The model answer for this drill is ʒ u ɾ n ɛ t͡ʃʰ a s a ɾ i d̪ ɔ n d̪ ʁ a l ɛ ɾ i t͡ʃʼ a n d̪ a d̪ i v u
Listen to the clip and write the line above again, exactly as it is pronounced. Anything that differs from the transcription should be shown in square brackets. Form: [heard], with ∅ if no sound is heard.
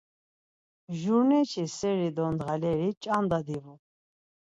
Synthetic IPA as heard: ʒ u ɾ n ɛ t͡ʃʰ [i] s [ɛ] ɾ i d̪ ɔ n d̪ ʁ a l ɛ ɾ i t͡ʃʼ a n d̪ a d̪ i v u